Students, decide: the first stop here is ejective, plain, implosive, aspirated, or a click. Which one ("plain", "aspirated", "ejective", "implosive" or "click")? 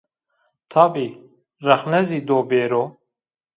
aspirated